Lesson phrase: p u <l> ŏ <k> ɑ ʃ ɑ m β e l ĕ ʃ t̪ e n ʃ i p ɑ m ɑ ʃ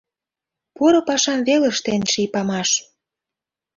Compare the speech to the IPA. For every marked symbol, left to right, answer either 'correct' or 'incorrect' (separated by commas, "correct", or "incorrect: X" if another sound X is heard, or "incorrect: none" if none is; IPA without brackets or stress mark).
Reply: incorrect: ɾ, incorrect: p